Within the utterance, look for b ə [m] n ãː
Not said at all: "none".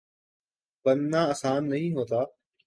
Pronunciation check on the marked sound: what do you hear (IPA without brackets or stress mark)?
n